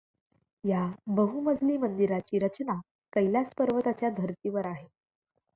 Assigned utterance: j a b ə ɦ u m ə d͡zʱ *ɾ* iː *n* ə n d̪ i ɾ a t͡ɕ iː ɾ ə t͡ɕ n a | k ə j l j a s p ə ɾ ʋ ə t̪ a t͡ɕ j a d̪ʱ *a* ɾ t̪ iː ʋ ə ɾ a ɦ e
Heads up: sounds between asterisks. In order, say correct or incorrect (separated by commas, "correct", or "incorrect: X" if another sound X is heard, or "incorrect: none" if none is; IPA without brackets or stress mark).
incorrect: l, incorrect: m, incorrect: ə